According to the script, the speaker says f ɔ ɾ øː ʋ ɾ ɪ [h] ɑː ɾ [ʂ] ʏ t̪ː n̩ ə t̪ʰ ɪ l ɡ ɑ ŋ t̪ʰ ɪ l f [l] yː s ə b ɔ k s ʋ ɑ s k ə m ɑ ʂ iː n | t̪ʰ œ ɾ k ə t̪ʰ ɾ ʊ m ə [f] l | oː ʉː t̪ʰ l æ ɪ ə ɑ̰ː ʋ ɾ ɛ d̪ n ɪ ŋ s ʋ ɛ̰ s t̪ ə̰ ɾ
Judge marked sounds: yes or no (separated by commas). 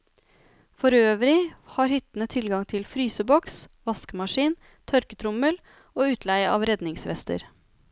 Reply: yes, no, no, no